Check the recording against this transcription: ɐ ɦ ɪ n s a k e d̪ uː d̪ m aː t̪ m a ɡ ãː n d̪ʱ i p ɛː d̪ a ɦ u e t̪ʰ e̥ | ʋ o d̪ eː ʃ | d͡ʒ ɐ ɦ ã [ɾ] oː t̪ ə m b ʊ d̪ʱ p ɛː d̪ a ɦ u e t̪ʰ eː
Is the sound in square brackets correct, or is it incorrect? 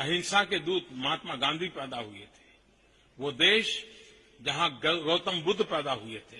correct